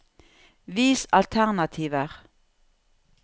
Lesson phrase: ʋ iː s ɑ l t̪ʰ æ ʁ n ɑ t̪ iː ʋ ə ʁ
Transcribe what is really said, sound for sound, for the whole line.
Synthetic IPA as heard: ʋ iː s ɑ l t̪ʰ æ ʁ n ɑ t̪ʰ iː ʋ ə ʁ